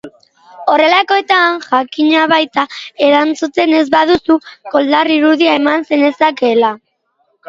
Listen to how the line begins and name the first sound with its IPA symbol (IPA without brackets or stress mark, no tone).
o̞